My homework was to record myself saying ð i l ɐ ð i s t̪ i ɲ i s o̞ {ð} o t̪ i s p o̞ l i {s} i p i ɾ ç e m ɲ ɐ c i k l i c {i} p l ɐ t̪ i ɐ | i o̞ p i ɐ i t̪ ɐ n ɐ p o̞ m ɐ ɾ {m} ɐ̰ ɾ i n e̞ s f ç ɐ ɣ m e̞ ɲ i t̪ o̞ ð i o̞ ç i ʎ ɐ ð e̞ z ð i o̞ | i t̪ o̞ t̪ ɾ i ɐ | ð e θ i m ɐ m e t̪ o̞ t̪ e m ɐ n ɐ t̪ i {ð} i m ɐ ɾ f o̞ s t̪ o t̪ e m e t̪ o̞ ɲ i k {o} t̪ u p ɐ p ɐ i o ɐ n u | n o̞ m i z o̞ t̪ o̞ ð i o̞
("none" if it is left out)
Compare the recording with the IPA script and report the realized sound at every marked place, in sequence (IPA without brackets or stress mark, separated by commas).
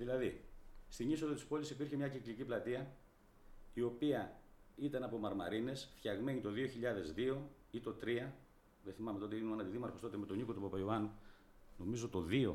ð, s, i, m, ð, o